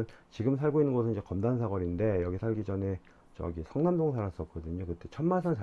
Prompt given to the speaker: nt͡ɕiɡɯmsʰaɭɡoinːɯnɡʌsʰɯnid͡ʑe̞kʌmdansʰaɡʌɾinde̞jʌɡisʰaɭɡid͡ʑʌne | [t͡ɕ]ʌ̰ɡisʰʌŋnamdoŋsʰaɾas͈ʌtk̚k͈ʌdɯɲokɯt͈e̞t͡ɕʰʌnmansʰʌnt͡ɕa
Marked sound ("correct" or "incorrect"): correct